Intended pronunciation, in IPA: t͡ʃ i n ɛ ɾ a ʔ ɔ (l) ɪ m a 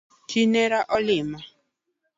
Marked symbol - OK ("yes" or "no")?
yes